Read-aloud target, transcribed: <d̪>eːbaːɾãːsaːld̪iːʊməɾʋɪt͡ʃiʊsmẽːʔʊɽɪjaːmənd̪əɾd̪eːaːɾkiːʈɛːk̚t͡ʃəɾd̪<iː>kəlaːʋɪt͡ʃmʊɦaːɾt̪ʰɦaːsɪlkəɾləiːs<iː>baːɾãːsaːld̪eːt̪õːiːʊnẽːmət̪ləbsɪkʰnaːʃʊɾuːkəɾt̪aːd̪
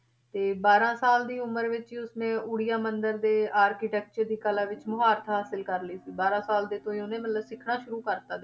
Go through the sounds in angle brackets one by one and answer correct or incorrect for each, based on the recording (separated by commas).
incorrect, correct, correct